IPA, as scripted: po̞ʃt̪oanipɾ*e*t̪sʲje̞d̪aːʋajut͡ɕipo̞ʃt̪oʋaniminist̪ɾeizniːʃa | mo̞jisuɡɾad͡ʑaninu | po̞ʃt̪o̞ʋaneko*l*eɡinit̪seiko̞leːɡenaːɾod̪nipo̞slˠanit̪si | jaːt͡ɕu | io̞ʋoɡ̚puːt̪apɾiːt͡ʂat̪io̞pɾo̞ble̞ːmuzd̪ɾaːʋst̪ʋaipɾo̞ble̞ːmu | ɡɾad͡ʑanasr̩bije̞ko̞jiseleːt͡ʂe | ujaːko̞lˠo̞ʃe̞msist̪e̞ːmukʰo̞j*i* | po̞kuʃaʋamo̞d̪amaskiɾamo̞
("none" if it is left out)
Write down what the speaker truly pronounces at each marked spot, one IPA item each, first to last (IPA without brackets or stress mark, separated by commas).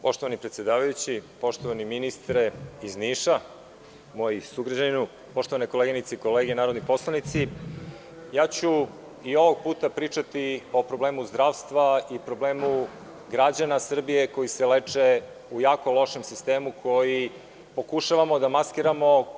e, l, i